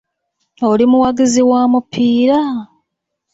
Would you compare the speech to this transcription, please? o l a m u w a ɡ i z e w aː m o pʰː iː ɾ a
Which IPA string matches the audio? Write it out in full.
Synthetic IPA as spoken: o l i m u w a ɡ i z i w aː m u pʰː iː ɾ a